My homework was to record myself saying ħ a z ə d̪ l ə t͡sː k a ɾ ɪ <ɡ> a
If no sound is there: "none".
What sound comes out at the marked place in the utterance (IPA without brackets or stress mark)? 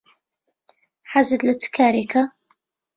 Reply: k